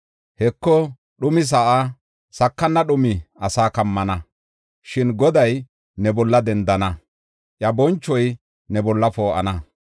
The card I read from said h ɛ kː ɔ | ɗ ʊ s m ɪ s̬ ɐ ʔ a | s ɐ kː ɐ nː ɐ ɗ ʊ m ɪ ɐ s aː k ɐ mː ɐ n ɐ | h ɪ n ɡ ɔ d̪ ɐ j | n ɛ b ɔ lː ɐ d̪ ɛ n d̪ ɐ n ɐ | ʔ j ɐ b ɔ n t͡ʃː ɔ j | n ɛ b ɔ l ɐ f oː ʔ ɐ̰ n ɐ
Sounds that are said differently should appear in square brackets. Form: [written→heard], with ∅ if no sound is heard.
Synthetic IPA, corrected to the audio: h ɛ kː ɔ | ɗ ʊ [s→∅] m ɪ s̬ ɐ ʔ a | s ɐ kː ɐ nː ɐ ɗ ʊ m ɪ ɐ s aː k ɐ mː ɐ n ɐ | [h→ʃ] ɪ n ɡ ɔ d̪ ɐ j | n ɛ b ɔ lː ɐ d̪ ɛ n d̪ ɐ n ɐ | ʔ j ɐ b ɔ n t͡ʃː ɔ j | n ɛ b ɔ [l→lː] ɐ f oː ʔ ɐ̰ n ɐ